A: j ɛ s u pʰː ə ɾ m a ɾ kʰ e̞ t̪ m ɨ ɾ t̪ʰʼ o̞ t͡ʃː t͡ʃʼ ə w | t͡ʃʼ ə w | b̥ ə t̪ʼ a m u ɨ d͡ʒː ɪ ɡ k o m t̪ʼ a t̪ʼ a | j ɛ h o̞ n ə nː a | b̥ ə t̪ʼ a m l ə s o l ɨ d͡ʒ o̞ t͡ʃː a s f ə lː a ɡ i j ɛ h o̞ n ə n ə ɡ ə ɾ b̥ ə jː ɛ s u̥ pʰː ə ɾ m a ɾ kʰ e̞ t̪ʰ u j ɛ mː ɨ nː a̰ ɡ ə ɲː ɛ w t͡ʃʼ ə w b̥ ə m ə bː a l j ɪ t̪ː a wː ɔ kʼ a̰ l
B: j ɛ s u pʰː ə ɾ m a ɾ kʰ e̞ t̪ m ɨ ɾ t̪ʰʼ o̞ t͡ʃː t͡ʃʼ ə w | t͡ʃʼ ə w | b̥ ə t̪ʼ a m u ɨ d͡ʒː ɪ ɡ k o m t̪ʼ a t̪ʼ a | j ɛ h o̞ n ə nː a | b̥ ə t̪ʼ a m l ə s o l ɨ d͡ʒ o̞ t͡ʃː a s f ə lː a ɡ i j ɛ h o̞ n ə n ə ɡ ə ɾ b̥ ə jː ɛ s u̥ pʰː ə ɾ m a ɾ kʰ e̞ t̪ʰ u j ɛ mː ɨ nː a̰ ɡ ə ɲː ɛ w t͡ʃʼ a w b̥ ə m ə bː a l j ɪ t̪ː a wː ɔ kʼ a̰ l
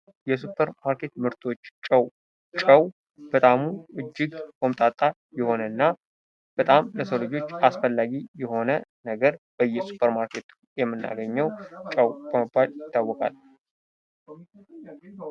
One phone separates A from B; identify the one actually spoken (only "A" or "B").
A